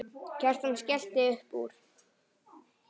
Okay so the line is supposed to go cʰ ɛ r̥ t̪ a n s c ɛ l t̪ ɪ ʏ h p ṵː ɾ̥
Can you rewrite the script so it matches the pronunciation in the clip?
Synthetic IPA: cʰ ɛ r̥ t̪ a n s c ɛ l t̪ ɪ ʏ h p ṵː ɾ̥